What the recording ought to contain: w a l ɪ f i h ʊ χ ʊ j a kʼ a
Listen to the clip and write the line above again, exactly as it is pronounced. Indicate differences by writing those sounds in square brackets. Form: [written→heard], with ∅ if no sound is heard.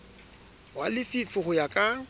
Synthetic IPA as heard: w a l ɪ f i [h→f] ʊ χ ʊ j a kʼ a